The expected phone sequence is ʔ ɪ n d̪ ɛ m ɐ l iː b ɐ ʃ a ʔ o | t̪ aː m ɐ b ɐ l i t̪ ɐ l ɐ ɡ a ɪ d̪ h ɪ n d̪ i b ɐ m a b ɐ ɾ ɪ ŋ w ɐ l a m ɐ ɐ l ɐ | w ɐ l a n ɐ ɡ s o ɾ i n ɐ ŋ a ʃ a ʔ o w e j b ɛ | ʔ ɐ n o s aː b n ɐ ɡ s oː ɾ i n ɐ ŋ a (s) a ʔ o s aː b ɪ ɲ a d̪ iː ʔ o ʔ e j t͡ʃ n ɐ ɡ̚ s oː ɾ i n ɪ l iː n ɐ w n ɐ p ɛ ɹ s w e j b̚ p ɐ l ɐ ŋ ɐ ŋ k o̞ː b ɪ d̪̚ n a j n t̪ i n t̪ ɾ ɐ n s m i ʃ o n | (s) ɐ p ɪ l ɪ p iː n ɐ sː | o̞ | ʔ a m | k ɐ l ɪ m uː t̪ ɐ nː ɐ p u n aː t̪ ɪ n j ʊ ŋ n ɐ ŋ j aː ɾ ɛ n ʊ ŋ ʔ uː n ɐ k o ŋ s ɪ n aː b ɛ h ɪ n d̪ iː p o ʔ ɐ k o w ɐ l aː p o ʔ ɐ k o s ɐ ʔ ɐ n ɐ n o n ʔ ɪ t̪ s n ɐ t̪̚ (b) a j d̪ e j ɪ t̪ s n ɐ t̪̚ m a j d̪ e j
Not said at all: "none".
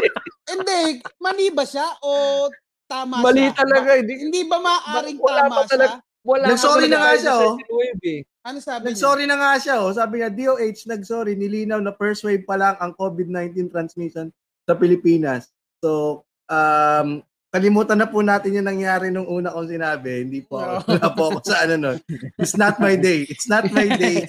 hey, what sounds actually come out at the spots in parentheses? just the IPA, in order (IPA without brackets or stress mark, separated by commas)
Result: ʃ, s, m